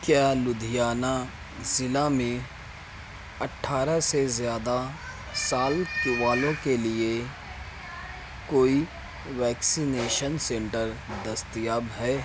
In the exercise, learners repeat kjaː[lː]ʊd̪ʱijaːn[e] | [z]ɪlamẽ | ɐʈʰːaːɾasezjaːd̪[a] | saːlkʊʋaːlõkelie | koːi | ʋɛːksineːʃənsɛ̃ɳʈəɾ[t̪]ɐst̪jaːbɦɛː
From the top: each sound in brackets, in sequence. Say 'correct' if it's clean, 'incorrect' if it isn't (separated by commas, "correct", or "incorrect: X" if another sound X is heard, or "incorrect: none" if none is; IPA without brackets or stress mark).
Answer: incorrect: l, incorrect: a, correct, correct, incorrect: d̪